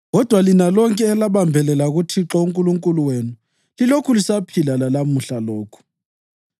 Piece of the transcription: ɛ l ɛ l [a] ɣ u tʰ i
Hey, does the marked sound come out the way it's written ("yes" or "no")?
yes